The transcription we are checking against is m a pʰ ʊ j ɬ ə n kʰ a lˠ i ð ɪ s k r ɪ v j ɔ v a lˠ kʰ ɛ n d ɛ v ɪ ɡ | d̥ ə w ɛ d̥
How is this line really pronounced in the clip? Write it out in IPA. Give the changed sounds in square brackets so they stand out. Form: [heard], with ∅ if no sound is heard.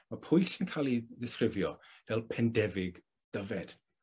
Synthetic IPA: m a pʰ ʊ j ɬ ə n kʰ a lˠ i ð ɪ s k r ɪ v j ɔ v [ɛ] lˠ [pʰ] ɛ n d ɛ v ɪ ɡ | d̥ ə [v] ɛ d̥